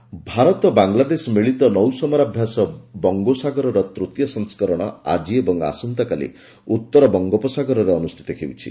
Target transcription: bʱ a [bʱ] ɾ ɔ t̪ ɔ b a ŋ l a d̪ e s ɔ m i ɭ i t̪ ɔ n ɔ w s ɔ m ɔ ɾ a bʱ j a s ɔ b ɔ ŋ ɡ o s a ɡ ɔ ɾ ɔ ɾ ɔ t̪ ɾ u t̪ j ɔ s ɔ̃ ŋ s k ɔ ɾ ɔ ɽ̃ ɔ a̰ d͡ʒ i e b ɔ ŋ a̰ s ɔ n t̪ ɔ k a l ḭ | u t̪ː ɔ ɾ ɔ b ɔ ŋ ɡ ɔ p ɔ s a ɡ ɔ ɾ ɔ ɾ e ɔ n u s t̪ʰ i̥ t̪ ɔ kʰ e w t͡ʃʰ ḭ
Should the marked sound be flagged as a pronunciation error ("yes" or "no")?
yes